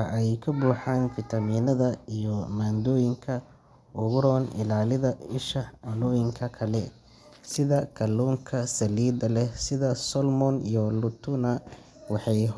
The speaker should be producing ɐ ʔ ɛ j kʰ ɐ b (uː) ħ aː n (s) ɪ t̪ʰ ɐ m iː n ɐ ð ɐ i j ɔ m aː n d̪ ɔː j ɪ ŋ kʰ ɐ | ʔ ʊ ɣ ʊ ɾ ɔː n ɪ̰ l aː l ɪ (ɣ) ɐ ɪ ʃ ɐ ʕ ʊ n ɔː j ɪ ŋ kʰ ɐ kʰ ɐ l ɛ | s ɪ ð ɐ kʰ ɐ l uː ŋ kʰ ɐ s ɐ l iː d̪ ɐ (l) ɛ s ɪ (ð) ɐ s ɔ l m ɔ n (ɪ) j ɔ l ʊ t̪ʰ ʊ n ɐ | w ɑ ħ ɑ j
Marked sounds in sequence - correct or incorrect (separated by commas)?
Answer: correct, incorrect, incorrect, correct, correct, incorrect